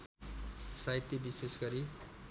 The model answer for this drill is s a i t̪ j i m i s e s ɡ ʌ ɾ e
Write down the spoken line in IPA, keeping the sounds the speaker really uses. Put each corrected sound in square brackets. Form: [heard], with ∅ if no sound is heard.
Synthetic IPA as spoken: s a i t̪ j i [b] i s e s ɡ ʌ ɾ [i]

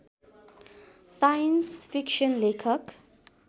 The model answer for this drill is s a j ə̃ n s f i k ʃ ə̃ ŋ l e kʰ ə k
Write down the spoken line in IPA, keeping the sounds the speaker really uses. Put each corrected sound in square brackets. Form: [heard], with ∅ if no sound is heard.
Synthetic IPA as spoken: s a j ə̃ n s f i k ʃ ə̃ [n] l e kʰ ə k

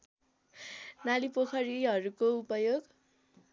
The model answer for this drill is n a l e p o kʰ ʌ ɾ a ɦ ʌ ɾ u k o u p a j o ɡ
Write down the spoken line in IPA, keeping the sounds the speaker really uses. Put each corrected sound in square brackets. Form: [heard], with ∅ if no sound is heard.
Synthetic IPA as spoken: n a l [i] p o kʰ ʌ ɾ [i] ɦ ʌ ɾ u k o u p [ʌ] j o ɡ

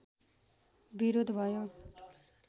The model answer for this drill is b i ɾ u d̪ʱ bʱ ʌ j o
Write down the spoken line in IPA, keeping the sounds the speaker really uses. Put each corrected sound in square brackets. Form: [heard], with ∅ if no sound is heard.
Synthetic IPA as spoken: b i ɾ [o] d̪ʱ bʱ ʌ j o

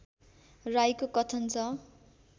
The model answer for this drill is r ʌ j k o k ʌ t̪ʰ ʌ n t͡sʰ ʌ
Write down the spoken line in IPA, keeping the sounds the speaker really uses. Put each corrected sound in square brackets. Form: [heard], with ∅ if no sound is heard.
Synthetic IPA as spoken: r [a] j k o k ʌ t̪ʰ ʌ n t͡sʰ ʌ

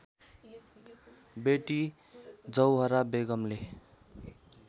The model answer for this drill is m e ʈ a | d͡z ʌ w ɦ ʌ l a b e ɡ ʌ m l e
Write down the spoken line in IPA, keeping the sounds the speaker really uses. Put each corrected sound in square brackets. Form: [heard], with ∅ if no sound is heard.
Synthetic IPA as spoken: [b] e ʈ [i] | d͡z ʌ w ɦ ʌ [ɾ] a b e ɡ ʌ m l e

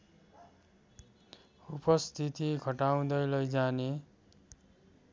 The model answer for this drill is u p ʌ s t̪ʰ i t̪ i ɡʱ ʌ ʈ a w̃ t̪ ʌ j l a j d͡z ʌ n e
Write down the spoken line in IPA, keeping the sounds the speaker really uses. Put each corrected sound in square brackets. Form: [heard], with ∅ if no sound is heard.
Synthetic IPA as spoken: u p ʌ s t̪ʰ i t̪ i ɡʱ ʌ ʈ a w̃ [d̪] ʌ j l [ʌ] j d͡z [a] n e

